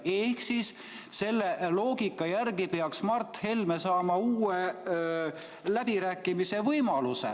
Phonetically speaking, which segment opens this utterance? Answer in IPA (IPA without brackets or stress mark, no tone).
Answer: e̞